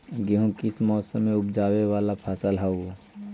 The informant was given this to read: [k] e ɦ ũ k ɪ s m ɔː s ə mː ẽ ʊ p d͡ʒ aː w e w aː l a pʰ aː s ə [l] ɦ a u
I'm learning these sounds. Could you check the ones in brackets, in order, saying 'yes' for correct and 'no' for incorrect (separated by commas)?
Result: no, yes